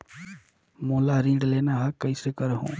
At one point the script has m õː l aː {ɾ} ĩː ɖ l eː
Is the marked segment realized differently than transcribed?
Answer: no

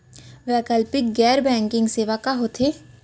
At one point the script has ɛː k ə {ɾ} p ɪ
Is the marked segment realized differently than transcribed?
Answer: yes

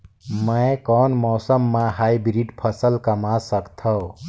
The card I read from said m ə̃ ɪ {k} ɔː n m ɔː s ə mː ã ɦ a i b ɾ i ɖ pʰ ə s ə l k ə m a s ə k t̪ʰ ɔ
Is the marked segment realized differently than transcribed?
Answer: no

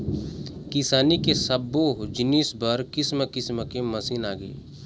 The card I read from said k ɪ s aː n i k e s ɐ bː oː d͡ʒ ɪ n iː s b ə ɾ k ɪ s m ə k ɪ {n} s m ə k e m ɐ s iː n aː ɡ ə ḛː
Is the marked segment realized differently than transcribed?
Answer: yes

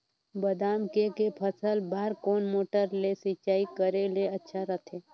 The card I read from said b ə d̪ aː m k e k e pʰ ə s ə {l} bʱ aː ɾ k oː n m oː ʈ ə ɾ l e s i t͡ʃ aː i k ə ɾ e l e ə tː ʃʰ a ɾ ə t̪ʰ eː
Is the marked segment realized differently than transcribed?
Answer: no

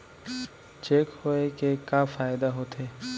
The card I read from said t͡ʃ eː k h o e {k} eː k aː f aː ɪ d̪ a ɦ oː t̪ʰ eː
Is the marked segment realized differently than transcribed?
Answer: no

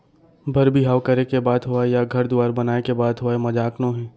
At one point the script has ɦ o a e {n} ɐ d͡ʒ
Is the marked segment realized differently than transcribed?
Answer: yes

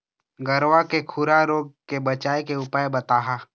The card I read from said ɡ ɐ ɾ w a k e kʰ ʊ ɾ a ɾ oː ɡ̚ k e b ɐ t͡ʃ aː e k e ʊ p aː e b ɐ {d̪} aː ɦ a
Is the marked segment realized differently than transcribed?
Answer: yes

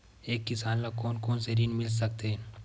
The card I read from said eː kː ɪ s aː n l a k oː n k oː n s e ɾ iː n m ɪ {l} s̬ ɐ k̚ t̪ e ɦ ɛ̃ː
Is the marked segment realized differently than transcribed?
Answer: no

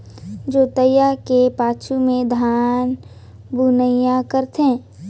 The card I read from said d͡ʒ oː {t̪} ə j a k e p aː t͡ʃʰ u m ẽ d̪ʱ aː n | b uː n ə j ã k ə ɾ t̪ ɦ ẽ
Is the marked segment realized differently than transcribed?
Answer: no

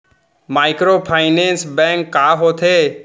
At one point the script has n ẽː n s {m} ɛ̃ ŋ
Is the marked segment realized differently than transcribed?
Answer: yes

